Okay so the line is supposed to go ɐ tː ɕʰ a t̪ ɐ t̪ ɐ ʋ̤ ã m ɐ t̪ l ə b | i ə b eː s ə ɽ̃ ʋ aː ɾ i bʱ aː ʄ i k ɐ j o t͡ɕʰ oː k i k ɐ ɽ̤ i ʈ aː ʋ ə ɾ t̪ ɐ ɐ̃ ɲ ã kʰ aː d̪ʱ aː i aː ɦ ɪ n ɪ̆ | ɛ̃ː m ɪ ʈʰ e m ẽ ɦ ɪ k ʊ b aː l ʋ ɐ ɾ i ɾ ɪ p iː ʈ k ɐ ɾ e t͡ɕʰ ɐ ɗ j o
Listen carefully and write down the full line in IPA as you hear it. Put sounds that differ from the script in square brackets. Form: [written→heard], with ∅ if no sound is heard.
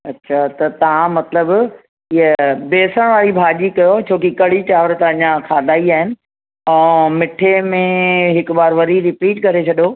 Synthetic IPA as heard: ɐ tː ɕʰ a t̪ ɐ t̪ ɐ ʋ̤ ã m ɐ t̪ l ə b | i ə b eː s ə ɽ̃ ʋ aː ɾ i bʱ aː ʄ i k ɐ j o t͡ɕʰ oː k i k ɐ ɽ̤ i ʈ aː ʋ ə ɾ t̪ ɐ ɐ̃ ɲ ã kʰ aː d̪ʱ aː i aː ɦ ɪ n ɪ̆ | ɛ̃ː m ɪ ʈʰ e m ẽ ɦ ɪ k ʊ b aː [l→ɾ] ʋ ɐ ɾ i ɾ ɪ p iː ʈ k ɐ ɾ e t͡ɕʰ ɐ ɗ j o